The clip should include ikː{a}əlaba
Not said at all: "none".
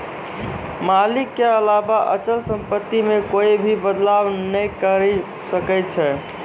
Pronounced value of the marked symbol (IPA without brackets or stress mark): e